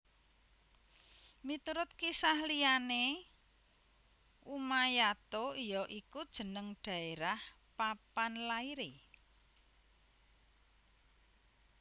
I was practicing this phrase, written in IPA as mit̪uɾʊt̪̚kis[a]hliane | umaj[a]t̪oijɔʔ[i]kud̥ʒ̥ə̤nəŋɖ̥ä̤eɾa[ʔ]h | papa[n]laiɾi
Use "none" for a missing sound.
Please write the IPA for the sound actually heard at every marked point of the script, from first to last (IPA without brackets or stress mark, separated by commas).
a, a, i, none, n